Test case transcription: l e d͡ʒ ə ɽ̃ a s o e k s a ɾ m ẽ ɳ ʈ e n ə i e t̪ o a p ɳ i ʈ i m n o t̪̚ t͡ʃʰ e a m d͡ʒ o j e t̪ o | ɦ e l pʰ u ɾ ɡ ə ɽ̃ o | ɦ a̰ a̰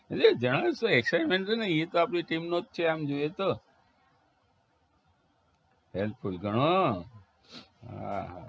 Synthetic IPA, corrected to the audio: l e d͡ʒ ə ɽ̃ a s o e k s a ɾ m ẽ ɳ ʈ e n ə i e t̪ o a p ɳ i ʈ i m n o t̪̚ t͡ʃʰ e a m d͡ʒ o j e t̪ o | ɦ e l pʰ u l ɡ ə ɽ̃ o | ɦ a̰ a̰